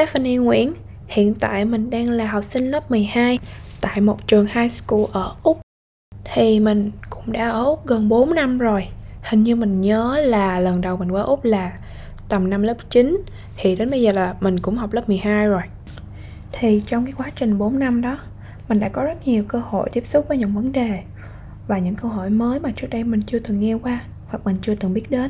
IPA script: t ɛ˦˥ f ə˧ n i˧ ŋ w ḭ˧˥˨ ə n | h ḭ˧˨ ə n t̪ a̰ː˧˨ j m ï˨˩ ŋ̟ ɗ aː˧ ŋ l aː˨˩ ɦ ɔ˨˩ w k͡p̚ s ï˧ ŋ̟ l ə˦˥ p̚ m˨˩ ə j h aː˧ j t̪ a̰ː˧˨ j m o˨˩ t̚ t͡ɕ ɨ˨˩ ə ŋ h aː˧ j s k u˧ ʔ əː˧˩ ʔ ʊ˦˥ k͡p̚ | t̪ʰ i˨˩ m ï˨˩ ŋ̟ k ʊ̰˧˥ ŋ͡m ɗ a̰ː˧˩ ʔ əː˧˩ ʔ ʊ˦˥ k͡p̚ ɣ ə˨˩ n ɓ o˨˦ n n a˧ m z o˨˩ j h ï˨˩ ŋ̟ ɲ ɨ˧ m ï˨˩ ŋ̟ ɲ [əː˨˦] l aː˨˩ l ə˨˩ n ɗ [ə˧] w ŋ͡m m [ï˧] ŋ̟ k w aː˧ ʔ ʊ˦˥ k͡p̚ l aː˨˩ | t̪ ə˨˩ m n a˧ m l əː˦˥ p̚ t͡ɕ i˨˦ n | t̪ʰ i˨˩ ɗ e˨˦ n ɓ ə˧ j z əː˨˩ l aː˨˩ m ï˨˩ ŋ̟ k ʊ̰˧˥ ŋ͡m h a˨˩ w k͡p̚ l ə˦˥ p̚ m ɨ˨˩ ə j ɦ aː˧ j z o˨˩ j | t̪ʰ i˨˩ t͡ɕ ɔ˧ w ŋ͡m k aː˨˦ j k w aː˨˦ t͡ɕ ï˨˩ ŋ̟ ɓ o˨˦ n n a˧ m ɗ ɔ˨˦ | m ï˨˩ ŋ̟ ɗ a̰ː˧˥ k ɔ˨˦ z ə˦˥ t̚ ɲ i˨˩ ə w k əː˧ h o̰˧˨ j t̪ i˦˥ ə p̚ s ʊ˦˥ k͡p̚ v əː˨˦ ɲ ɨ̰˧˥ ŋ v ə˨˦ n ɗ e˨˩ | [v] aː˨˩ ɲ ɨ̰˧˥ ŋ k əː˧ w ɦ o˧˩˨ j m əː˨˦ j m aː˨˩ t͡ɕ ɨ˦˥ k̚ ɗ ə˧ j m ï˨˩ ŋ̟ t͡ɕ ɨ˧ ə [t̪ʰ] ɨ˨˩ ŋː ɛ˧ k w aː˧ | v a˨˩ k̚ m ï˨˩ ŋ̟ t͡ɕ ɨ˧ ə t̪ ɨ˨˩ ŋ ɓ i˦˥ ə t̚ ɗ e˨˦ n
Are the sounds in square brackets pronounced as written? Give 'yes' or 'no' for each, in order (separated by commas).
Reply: yes, no, no, yes, no